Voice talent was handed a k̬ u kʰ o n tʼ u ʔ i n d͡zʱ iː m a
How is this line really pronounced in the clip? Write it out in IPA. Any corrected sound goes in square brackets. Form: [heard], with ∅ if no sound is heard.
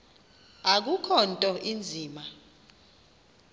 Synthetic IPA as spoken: a k̬ u kʰ [ɔ] n tʼ [ɔ] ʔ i n d͡zʱ iː m a